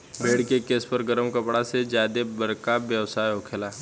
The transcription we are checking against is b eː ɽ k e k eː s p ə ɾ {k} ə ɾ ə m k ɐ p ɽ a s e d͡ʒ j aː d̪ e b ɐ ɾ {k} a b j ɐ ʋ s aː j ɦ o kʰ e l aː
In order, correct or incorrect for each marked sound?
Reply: incorrect: ɡ, correct

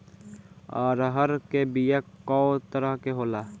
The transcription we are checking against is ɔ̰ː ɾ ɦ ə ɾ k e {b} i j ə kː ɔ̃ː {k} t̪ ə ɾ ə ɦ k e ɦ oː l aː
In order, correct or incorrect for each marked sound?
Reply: correct, incorrect: none

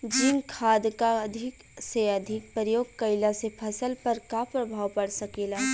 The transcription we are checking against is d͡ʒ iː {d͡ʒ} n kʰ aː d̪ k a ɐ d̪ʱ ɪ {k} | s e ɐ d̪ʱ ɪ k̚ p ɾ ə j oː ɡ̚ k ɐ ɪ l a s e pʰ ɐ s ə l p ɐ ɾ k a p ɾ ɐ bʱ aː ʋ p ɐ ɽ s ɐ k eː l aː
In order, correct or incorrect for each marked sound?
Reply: incorrect: none, correct

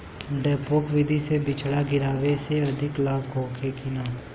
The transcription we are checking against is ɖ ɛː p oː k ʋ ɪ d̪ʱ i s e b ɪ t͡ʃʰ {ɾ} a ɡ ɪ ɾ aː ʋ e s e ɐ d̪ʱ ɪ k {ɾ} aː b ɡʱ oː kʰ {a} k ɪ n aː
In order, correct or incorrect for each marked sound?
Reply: incorrect: ɽ, incorrect: l, incorrect: e

